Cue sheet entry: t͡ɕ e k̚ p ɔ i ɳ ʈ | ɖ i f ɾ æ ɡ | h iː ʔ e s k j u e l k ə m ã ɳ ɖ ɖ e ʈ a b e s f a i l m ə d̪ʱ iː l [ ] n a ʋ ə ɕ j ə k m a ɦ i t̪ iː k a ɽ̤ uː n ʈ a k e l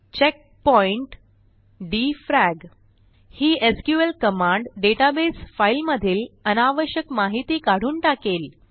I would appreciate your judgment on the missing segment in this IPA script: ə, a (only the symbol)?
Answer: ə